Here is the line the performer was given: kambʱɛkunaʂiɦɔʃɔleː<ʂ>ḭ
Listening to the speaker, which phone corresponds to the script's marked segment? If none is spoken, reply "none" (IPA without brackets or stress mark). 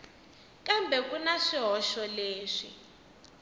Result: ʂ